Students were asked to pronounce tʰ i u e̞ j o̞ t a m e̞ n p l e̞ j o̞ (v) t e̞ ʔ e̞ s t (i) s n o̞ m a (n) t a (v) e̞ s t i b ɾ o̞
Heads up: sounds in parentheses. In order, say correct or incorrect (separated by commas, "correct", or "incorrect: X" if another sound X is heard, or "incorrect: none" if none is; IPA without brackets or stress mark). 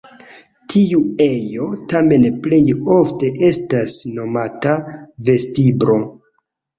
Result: incorrect: f, incorrect: a, incorrect: none, correct